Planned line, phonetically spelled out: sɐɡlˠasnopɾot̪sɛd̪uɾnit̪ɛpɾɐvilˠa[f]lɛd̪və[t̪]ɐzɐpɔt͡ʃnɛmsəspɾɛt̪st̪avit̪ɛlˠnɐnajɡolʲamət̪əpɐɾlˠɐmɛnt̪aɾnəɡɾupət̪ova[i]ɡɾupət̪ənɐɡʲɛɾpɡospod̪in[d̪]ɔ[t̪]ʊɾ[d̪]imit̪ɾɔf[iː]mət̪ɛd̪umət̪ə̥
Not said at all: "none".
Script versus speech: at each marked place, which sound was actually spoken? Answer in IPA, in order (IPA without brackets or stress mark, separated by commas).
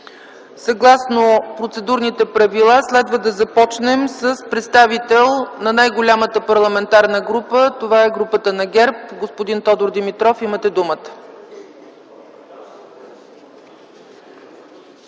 s, d̪, ɛ, t̪, d̪, d̪, i